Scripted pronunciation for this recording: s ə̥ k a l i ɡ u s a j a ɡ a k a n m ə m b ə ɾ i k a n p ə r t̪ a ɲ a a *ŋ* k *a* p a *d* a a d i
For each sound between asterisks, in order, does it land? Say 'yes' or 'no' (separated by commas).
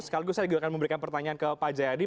no, no, no